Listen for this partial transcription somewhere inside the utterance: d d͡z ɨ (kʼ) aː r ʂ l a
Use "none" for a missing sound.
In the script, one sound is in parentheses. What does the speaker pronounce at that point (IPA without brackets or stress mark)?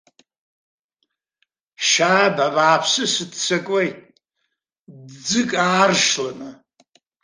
kʼ